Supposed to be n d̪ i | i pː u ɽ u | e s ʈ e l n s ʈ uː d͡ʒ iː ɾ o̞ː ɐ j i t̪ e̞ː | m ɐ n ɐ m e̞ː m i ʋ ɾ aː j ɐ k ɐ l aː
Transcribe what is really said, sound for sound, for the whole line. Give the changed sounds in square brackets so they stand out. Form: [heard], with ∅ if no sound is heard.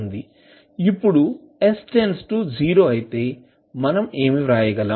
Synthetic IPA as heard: n d̪ i | i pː u ɽ u | e s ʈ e [∅] n s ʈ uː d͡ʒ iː ɾ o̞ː ɐ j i t̪ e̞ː | m ɐ n ɐ m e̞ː m i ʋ ɾ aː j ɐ [ɡ] ɐ l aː